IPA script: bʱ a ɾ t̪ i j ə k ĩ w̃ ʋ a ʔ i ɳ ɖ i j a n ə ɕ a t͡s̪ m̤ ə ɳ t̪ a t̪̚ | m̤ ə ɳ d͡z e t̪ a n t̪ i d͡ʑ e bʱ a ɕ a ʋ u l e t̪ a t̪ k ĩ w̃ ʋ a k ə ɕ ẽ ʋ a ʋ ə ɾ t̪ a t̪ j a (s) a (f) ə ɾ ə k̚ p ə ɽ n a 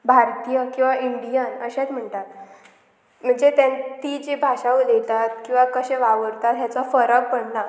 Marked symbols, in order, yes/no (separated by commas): no, yes